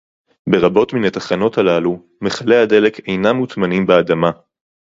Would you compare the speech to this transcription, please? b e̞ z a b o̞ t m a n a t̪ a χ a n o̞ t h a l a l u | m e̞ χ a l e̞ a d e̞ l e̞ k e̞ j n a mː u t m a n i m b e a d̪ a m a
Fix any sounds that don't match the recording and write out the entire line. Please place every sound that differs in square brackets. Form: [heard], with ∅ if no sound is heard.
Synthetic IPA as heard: b e̞ [ʁ] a b o̞ t m [i] n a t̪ a χ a n o̞ t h a l a l u | m e̞ χ a l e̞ a d e̞ l e̞ k e̞ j n a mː u t m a n i m b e a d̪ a m a